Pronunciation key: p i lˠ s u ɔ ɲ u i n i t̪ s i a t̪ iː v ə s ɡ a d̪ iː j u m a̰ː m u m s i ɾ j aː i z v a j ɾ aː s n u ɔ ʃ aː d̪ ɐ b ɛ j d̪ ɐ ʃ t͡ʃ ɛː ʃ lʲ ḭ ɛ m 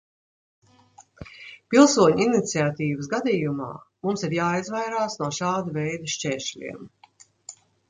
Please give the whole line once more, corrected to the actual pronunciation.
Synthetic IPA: p i lˠ s u ɔ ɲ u i n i t̪ s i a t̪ iː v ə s ɡ a d̪ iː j u m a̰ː m u m s i ɾ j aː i z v a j ɾ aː s n u ɔ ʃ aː d̪ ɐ v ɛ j d̪ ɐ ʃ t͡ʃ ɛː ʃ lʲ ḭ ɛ m